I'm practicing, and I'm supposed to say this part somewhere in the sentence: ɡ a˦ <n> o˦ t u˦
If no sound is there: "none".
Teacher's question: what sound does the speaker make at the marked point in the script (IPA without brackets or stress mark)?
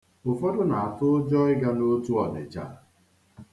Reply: n